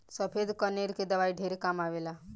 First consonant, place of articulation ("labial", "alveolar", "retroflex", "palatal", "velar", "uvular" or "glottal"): alveolar